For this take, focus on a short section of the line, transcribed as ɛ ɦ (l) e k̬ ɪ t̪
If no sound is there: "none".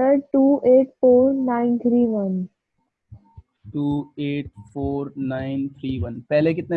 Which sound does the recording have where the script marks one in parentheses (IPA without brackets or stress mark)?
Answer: l